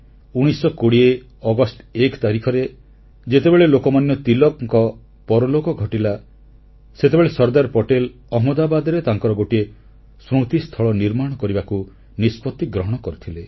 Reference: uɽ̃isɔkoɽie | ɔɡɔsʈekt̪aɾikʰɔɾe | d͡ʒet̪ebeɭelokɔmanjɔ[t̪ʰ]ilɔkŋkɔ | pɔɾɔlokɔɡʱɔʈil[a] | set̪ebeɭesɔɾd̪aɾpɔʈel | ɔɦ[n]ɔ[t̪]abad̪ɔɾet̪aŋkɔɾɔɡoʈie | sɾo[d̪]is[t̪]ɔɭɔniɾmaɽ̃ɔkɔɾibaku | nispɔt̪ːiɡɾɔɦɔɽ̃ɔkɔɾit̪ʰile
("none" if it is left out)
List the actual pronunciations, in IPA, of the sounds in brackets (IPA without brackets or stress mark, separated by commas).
t̪, a, m, d̪, t̪, t̪ʰ